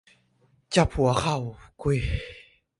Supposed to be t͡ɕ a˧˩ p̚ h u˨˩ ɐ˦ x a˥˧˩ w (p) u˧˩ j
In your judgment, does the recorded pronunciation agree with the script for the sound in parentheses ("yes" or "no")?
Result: no